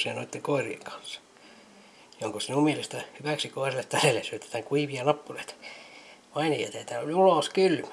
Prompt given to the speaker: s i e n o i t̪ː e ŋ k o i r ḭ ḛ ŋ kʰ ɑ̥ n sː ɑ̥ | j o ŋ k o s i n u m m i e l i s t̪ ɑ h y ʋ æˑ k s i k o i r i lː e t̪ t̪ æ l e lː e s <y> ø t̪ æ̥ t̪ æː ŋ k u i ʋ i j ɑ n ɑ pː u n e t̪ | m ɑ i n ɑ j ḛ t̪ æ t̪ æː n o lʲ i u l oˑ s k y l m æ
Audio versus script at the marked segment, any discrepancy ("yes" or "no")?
no